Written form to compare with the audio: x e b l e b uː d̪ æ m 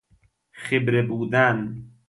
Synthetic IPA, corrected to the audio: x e b ɾ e b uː d̪ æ n